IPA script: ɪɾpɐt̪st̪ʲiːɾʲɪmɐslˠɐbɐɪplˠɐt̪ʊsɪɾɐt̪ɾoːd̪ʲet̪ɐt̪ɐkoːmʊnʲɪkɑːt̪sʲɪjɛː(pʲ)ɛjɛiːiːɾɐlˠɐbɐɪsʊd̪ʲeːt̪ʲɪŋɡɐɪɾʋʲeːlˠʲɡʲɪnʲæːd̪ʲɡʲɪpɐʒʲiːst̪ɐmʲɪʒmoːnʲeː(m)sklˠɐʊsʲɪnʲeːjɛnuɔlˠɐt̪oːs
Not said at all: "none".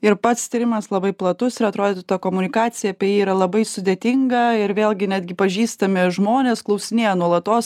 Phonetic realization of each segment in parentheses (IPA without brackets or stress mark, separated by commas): pʲ, none